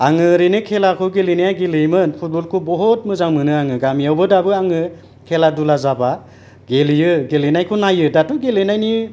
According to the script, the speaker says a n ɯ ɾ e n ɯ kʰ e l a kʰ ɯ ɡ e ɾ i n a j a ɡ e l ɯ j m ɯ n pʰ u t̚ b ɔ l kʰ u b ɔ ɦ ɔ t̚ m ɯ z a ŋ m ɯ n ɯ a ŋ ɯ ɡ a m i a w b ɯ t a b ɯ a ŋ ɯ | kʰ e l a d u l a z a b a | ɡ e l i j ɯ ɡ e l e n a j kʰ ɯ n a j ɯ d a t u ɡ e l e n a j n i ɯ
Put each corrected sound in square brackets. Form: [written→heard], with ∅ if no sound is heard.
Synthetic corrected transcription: a [n→ŋ] ɯ ɾ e n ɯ kʰ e l a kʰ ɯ ɡ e [ɾ→l] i n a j a ɡ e l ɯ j m ɯ n pʰ u t̚ b ɔ l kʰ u b ɔ ɦ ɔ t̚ m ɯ z a ŋ m ɯ n ɯ a ŋ ɯ ɡ a m i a w b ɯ [t→d] a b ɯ a ŋ ɯ | kʰ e l a d u l a z a b a | ɡ e l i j ɯ ɡ e l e n a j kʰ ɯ n a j ɯ d a t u ɡ e l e n a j n i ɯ